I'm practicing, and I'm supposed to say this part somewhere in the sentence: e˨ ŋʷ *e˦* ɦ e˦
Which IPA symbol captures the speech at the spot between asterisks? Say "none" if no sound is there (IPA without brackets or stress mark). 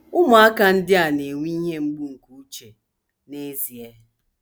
i˦